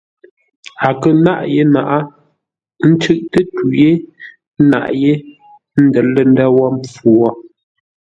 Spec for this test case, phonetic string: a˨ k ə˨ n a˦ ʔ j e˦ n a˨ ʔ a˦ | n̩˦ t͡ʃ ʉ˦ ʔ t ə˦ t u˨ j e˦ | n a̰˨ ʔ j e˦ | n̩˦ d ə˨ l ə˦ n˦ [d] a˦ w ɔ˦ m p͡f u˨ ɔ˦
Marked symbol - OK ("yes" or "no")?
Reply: yes